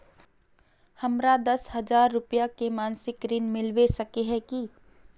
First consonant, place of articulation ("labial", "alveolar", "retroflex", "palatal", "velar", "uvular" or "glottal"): glottal